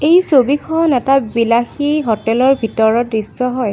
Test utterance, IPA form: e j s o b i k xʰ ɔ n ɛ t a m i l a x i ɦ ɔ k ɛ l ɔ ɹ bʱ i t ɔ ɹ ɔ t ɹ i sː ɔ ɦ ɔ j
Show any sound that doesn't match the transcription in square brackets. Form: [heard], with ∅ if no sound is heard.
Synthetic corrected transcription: e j s o b i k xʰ ɔ n ɛ t a [b] i l a x i ɦ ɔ [t] ɛ l ɔ ɹ bʱ i t ɔ ɹ ɔ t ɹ i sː ɔ ɦ ɔ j